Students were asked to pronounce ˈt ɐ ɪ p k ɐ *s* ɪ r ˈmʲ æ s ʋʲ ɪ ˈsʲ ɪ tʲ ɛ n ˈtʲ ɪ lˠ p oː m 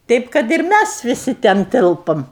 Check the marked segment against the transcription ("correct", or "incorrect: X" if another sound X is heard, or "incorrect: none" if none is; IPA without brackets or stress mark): incorrect: t